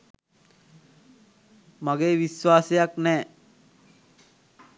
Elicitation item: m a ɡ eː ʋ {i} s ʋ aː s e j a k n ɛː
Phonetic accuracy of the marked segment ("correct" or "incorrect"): correct